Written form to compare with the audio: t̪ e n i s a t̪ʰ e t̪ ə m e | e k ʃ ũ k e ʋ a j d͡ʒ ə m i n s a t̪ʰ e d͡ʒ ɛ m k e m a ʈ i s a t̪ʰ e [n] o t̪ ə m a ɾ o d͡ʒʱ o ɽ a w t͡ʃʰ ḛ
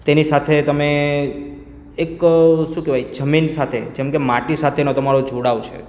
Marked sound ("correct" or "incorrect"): correct